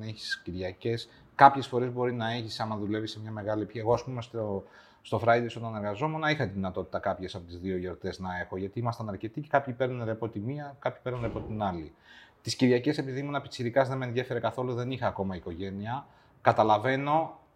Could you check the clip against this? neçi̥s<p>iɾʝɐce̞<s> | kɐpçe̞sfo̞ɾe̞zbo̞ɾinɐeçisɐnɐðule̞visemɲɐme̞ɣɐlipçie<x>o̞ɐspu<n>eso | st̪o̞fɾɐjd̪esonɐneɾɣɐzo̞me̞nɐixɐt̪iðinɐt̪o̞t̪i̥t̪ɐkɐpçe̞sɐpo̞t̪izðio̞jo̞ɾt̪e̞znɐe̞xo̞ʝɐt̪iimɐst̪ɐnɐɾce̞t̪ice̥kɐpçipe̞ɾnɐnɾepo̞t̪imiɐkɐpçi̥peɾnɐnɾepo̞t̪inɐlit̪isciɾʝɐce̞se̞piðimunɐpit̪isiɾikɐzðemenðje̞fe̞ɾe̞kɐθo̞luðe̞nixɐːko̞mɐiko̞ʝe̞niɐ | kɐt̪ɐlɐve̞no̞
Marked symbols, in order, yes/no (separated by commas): no, yes, no, no